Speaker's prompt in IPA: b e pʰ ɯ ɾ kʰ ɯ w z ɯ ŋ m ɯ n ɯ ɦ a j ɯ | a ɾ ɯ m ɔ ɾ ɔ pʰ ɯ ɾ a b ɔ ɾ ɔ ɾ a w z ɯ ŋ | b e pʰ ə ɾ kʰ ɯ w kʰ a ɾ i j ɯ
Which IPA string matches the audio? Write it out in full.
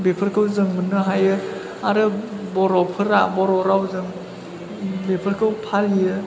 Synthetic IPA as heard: b e pʰ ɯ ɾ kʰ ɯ w z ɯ ŋ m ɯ n ɯ ɦ a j ɯ | a ɾ ɯ b ɔ ɾ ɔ pʰ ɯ ɾ a b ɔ ɾ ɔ ɾ a w z ɯ ŋ | b e pʰ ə ɾ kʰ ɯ w pʰ a l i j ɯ

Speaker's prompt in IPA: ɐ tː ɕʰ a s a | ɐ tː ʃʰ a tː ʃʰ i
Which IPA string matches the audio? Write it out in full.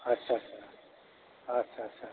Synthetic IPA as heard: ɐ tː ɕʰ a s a | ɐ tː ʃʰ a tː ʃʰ a

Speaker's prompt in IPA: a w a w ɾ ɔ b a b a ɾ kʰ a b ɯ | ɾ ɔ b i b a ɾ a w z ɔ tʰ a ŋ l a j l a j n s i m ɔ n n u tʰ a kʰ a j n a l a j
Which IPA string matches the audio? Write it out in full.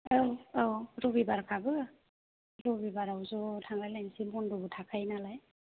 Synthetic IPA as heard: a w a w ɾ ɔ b i b a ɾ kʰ a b ɯ | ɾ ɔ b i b a ɾ a w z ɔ tʰ a ŋ l a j l a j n s i m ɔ n d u tʰ a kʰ a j n a l a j

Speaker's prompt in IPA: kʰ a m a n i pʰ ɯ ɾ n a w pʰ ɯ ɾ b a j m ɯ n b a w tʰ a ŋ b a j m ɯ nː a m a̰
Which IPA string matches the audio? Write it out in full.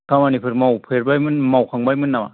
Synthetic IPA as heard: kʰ a m a n i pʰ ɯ ɾ m a w pʰ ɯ ɾ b a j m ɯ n m a w kʰ a ŋ b a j m ɯ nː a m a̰

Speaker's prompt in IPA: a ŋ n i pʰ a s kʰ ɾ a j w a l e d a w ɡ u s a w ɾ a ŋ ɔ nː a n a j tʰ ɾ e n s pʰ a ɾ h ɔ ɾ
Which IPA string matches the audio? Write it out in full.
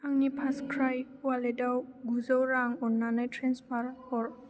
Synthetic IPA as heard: a ŋ n i pʰ a s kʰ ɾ a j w a l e d a w ɡ u z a w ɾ a ŋ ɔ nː a n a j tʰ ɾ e n s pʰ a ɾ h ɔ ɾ

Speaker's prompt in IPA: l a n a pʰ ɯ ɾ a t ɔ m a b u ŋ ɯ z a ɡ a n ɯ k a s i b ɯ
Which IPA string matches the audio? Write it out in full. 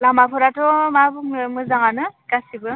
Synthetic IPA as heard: l a m a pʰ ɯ ɾ a t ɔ m a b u m ɯ z a ŋ a n ɯ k a s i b ɯ

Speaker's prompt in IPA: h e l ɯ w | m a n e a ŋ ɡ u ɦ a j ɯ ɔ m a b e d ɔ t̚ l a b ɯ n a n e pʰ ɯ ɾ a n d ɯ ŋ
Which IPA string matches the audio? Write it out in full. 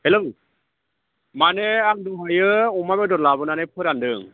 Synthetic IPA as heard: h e l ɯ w | m a n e a ŋ d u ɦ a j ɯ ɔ m a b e d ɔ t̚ l a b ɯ n a n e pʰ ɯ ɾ a n d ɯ ŋ

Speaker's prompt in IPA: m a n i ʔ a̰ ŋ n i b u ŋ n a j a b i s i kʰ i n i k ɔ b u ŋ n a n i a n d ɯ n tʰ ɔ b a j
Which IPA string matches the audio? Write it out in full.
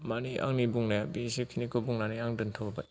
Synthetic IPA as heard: m a n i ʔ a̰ ŋ n i b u ŋ n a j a b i s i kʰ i n i k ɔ b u ŋ n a n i a ŋ d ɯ n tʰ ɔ b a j

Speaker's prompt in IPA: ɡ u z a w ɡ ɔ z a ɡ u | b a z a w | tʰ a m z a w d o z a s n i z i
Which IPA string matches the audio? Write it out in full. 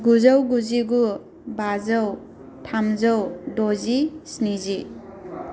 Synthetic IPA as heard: ɡ u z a w ɡ u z i ɡ u | b a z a w | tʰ a m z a w d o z i s n i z i

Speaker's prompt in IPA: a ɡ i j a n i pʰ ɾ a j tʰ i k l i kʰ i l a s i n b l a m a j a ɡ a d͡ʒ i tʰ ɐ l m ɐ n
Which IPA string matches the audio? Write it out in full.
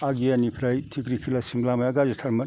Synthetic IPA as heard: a ɡ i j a n i pʰ ɾ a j tʰ i k ɾ i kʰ i l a s i m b l a m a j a ɡ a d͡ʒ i tʰ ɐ ɾ m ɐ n

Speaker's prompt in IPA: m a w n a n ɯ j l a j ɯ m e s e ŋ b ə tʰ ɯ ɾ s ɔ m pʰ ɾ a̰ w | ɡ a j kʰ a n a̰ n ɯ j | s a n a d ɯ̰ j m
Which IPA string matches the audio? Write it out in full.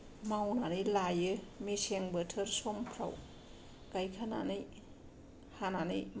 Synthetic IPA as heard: m a w n a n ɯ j l a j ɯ m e s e ŋ b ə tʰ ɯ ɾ s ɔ m pʰ ɾ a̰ w | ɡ a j kʰ a n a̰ n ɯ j | h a n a n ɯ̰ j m

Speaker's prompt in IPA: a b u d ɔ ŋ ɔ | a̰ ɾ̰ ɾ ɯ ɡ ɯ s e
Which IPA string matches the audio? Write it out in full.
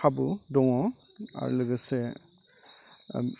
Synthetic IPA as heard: a b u d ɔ ŋ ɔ | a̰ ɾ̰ l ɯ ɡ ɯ s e

